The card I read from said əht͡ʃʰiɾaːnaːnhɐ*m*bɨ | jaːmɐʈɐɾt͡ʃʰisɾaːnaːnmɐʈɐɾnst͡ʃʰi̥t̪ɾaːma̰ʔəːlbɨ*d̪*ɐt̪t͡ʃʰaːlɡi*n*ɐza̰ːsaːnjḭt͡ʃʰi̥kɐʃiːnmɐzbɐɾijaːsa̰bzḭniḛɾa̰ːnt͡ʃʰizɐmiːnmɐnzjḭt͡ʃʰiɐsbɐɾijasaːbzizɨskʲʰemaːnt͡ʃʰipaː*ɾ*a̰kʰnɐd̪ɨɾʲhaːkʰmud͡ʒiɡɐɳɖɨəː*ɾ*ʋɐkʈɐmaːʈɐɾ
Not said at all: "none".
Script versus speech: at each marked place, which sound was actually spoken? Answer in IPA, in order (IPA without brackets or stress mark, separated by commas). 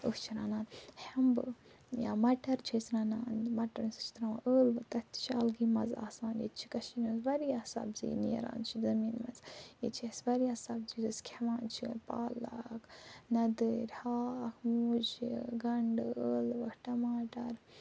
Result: m, t̪, m, l, l